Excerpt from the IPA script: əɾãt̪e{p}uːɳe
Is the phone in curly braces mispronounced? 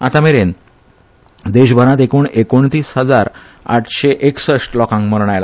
yes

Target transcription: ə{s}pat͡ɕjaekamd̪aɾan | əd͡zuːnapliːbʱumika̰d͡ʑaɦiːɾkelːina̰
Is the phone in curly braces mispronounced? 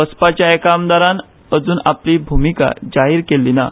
no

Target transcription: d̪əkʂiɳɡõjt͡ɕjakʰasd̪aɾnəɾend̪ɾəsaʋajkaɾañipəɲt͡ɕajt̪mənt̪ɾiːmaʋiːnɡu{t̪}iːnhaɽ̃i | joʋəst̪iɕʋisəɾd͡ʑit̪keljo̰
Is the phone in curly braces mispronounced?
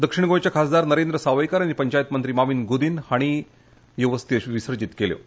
yes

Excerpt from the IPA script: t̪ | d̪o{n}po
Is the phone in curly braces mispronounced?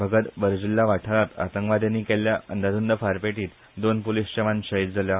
no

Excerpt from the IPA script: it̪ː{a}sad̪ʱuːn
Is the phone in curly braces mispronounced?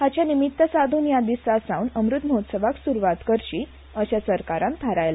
yes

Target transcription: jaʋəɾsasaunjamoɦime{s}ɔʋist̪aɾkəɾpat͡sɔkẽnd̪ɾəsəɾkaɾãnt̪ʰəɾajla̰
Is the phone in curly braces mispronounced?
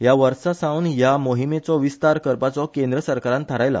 yes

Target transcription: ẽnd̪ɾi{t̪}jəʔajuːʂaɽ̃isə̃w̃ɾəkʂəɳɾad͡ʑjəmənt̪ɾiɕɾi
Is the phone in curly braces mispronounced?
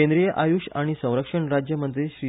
yes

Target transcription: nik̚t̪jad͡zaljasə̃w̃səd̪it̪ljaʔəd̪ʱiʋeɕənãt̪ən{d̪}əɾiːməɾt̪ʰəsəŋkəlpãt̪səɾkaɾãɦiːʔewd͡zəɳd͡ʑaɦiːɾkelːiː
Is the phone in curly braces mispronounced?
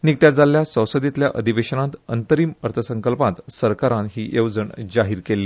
yes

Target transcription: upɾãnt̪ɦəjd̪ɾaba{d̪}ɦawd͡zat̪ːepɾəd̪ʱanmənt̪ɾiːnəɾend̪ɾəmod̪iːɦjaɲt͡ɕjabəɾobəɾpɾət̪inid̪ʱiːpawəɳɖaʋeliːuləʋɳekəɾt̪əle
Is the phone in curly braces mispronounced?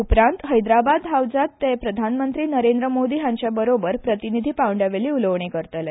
no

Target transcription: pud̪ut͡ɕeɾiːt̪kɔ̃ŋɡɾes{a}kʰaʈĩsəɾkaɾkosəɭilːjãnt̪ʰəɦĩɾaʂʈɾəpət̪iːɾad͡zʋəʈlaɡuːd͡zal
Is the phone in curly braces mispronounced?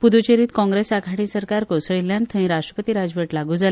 no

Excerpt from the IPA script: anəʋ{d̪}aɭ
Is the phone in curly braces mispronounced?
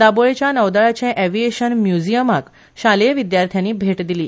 no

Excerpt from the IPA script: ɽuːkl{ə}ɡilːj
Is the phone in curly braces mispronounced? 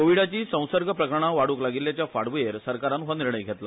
yes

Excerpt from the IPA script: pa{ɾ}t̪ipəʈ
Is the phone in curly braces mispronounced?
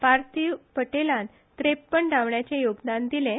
no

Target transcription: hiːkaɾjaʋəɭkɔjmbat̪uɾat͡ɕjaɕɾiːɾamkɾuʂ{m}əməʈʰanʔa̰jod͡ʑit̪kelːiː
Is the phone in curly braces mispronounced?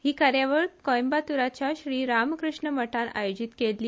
yes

